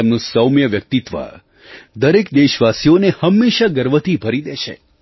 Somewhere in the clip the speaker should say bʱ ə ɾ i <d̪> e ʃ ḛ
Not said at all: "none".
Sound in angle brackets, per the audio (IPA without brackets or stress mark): d̪